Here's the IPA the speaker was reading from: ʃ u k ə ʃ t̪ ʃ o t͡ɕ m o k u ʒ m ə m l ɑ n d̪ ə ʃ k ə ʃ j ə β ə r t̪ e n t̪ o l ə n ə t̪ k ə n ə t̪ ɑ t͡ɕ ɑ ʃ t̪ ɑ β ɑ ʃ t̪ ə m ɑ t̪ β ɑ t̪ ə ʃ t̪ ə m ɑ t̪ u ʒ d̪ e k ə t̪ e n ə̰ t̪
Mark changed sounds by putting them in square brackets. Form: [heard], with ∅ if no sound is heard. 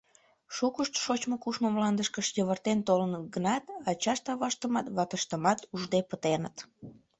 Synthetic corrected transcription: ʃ u k ə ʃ t̪ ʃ o t͡ɕ m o k u [ʃ] m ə m l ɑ n d̪ ə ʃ k ə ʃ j ə β ə r t̪ e n t̪ o l ə n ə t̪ [ɡ] ə n [ɑ] t̪ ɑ t͡ɕ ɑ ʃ t̪ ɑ β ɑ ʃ t̪ ə m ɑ t̪ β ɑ t̪ ə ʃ t̪ ə m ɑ t̪ u ʒ d̪ e [p] ə t̪ e n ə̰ t̪